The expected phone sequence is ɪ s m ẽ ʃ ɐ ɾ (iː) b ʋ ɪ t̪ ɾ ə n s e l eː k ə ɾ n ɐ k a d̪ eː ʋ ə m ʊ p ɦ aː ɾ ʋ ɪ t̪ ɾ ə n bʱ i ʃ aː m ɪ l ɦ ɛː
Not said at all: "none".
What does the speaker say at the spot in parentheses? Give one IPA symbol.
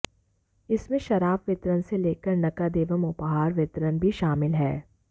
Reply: aː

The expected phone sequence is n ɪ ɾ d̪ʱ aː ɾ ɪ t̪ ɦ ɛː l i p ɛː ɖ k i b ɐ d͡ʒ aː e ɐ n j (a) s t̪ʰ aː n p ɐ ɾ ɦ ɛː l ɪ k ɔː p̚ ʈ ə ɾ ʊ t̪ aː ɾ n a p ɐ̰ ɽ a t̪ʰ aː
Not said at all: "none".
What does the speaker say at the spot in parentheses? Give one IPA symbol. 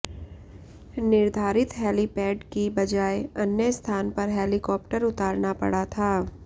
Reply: ə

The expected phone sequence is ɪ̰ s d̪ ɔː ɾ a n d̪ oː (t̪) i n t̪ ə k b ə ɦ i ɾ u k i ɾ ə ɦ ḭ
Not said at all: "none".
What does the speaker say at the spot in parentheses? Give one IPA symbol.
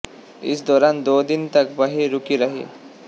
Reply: d̪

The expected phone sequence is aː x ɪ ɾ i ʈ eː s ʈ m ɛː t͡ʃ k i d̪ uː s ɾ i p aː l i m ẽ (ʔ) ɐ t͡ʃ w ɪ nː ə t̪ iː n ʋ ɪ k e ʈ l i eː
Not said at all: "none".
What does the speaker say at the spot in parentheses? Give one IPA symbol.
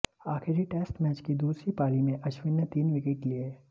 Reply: ʔ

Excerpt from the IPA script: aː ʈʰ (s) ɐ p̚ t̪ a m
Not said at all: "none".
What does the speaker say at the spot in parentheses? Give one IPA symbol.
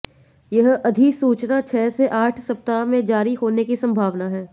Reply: s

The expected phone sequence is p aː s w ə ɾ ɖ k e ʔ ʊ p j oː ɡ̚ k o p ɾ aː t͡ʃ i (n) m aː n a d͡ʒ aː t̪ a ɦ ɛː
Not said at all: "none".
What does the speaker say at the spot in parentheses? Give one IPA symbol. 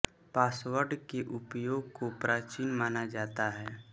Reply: n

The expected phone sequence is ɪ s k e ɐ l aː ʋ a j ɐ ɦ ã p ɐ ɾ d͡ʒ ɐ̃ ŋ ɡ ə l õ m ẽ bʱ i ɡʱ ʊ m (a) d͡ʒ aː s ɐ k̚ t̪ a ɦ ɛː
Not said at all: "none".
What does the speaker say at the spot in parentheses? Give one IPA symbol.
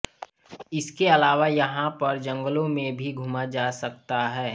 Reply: a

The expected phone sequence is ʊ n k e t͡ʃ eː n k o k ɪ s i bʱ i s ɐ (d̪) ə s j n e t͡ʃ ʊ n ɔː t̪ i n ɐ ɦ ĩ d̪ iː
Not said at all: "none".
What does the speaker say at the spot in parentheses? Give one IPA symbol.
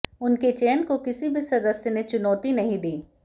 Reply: d̪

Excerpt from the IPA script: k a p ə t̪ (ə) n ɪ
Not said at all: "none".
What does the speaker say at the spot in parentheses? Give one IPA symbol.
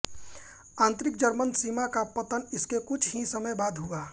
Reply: ə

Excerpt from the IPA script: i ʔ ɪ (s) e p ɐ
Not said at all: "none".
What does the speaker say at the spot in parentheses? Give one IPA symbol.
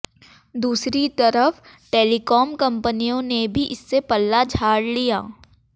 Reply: sː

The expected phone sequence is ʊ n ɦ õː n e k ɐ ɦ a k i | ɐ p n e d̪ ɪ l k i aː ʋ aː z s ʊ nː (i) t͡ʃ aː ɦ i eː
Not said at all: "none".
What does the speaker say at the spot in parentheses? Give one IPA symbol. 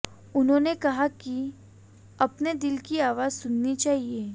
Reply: i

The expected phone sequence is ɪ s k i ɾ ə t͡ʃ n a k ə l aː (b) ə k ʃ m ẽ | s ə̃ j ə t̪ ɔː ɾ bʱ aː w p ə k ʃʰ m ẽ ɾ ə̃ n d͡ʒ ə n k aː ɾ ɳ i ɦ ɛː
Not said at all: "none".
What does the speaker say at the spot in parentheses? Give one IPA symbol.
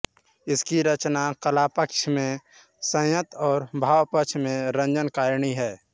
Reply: p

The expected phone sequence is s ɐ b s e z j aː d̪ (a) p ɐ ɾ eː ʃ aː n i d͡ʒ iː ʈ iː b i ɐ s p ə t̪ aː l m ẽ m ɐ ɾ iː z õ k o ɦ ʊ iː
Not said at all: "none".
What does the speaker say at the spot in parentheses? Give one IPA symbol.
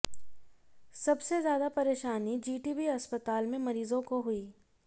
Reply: a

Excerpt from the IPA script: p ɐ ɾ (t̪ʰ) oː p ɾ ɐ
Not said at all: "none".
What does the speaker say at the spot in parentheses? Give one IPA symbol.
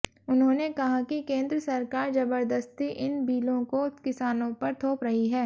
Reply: t̪ʰ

